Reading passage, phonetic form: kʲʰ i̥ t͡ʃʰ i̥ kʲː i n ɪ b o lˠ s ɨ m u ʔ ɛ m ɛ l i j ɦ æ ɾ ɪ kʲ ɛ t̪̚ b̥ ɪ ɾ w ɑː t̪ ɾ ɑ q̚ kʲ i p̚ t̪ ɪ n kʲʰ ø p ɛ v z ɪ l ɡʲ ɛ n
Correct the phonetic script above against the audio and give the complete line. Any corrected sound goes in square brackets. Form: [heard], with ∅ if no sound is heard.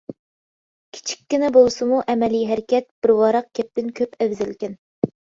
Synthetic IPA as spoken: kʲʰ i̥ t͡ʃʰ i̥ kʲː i n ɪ b o lˠ s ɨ m u ʔ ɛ m ɛ l i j ɦ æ ɾ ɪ kʲ ɛ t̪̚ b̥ ɪ ɾ w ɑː [∅] ɾ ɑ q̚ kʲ [ɛ] p̚ t̪ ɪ n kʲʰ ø p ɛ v z ɪ l [kʲ] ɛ n